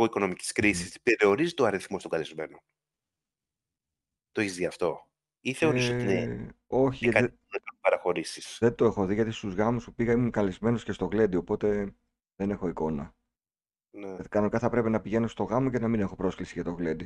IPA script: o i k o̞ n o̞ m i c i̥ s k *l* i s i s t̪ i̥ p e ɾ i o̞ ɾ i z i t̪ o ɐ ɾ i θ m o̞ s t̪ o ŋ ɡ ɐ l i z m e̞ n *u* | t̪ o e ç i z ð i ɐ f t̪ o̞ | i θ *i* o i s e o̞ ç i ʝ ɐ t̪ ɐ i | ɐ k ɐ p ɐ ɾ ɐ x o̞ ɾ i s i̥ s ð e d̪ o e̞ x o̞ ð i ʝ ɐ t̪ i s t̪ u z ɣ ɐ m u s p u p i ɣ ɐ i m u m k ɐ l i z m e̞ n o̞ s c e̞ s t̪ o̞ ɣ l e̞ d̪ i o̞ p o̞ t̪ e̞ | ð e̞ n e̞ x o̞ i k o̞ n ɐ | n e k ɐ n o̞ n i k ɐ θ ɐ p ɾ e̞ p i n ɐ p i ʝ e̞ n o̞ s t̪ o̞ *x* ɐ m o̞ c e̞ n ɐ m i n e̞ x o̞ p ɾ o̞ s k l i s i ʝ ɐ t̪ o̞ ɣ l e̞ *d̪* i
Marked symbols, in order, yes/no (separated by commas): no, no, no, no, yes